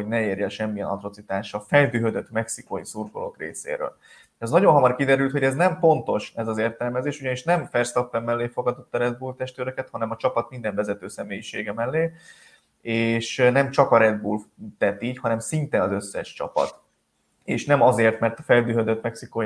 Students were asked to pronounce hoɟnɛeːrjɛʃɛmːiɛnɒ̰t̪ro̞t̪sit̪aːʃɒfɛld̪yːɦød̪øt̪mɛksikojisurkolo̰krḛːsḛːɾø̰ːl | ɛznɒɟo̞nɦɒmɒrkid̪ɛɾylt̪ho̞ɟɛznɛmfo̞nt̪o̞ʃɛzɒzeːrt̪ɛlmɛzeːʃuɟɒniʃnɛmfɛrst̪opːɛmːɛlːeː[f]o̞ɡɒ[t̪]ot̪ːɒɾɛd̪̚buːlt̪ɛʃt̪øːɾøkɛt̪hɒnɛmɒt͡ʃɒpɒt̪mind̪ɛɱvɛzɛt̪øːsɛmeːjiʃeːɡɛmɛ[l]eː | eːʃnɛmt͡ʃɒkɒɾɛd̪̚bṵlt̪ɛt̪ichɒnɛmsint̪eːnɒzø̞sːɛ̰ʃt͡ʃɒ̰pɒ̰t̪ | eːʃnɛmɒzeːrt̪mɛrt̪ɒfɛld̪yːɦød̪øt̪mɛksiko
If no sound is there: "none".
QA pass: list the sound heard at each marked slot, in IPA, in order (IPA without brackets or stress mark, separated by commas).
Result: f, d̪, lː